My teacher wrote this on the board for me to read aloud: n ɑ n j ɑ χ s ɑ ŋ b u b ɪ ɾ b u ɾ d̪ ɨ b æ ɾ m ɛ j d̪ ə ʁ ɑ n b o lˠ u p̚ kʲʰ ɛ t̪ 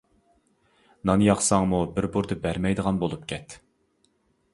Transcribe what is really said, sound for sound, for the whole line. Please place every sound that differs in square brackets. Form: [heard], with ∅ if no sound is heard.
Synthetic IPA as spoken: n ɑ n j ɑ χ s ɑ ŋ [m] u b ɪ ɾ b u ɾ d̪ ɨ b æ ɾ m ɛ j d̪ ə ʁ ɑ n b o lˠ u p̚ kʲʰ ɛ t̪